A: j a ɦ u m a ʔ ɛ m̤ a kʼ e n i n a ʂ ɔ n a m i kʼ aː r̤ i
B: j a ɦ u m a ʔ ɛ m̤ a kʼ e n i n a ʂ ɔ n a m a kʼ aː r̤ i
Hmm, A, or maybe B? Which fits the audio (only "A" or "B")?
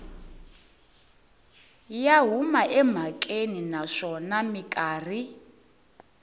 A